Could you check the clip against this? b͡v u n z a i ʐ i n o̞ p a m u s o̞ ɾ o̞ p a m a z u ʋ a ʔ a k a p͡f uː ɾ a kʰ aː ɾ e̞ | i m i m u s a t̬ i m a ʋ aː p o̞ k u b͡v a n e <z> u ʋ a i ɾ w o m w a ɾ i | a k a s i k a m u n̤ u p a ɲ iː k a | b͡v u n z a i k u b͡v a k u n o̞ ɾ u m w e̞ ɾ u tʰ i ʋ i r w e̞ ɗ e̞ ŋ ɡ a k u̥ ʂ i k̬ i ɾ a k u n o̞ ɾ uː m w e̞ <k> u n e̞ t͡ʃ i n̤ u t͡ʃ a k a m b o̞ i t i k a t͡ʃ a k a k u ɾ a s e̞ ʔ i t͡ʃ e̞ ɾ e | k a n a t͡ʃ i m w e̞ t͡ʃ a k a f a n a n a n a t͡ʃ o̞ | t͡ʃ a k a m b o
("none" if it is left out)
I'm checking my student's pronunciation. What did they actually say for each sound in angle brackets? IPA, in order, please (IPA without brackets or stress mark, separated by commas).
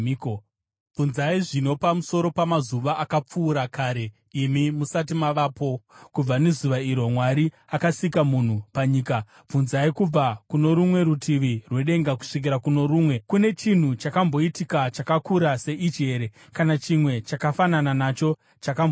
z, k